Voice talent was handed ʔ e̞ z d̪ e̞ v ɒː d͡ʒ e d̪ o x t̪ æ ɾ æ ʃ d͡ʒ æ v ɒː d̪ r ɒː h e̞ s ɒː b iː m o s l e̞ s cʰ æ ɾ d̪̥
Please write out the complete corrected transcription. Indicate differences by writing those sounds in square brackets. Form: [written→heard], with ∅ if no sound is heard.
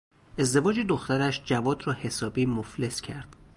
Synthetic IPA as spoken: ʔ e̞ z d̪ e̞ v ɒː d͡ʒ e d̪ o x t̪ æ ɾ æ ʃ d͡ʒ æ v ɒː d̪ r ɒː h e̞ s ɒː b iː m o [s→f] l e̞ s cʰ æ ɾ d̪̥